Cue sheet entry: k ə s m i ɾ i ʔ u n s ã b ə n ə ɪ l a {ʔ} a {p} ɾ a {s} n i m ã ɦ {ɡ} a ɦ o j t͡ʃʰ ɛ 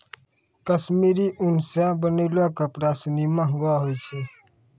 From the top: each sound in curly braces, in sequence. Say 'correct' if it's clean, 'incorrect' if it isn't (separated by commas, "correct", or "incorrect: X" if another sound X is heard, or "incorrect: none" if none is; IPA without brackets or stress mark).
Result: incorrect: k, correct, correct, correct